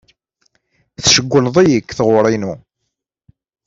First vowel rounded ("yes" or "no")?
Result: no